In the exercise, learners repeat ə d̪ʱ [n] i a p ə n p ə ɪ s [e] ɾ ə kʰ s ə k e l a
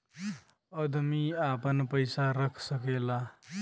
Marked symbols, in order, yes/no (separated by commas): no, no